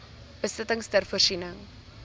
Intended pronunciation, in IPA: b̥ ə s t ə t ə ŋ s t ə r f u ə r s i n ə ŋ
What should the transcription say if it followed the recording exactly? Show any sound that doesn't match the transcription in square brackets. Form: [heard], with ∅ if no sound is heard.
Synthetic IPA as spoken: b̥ ə s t ə t ə ŋ s t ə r f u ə r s i n ə ŋ